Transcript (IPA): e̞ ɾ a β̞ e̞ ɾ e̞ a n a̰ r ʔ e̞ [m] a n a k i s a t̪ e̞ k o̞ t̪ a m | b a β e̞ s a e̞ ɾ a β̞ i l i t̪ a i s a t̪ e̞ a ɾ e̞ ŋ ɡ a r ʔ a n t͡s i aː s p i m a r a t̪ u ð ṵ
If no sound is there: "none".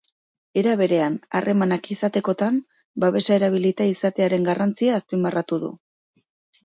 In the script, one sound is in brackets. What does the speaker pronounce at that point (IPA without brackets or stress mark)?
m